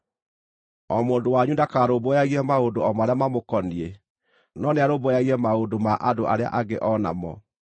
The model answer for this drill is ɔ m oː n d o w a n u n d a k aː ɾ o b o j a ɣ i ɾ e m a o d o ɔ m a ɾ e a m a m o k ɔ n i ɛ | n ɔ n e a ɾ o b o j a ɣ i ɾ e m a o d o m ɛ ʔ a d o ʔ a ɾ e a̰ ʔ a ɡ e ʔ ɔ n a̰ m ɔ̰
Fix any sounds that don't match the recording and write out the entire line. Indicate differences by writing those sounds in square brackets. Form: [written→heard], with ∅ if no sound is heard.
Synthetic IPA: ɔ m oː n d o w a [n→ɲ] u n d a k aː ɾ o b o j a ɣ i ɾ [e→ɛ] m a o d o ɔ m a ɾ e a m a m o k ɔ n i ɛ | n ɔ n e a ɾ o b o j a ɣ i ɾ [e→ɛ] m a o d o m [ɛ→a] ʔ a d o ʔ a ɾ e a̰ ʔ a ɡ e ʔ ɔ n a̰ m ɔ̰